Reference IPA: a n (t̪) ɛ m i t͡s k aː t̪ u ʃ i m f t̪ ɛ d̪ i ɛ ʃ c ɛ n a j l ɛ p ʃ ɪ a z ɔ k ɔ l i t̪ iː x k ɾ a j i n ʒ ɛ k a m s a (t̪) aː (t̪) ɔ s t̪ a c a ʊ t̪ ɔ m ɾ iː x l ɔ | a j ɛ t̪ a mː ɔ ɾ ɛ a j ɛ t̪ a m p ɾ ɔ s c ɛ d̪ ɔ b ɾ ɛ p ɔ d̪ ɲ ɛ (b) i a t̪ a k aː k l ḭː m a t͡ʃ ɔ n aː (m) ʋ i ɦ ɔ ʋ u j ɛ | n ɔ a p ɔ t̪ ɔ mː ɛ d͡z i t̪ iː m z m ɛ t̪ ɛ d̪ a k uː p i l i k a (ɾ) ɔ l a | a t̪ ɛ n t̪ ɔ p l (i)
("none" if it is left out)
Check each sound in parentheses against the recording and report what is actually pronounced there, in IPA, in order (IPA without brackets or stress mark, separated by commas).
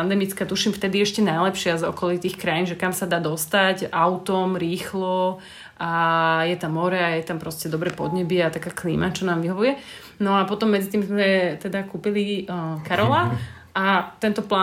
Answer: d̪, d̪, d̪, b, m, ɾ, a